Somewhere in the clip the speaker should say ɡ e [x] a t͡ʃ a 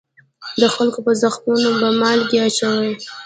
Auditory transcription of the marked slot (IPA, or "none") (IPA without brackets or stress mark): none